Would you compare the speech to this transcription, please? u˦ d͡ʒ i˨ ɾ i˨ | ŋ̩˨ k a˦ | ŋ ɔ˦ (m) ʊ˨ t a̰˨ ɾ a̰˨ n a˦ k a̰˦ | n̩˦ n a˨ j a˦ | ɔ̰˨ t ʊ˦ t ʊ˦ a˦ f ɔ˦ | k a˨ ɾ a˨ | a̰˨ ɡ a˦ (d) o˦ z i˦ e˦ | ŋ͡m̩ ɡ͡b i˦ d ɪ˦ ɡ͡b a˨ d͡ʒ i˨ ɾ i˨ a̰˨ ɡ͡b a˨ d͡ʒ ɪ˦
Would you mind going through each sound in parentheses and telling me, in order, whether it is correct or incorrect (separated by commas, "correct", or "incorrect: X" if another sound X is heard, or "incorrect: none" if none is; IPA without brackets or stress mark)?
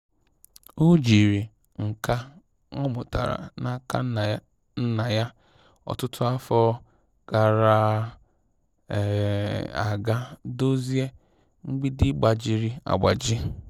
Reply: correct, correct